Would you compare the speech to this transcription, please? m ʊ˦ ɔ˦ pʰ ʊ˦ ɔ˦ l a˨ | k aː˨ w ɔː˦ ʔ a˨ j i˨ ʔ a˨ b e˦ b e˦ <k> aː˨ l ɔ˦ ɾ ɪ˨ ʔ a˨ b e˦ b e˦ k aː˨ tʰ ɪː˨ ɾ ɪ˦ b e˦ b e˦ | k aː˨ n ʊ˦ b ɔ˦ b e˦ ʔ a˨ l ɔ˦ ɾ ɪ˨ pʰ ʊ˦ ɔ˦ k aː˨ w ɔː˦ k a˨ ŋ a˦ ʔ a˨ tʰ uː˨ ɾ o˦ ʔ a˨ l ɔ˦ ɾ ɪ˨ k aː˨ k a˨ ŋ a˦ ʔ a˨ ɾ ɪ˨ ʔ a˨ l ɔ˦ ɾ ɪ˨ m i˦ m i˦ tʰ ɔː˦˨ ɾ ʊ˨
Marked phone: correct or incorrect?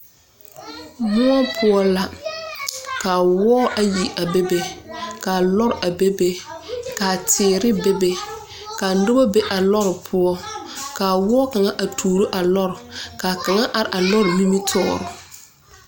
correct